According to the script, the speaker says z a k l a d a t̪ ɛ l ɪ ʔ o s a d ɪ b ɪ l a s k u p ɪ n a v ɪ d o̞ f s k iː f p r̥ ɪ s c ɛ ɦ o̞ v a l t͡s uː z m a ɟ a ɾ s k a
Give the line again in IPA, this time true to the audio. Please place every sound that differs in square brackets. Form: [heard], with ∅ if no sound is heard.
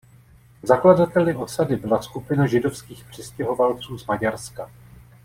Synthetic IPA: z a k l a d a t̪ ɛ l ɪ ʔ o s a d ɪ b ɪ l a s k u p ɪ n a [ʒ] ɪ d o̞ f s k iː [x] p r̥ ɪ s c ɛ ɦ o̞ v a l t͡s uː z m a ɟ a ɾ s k a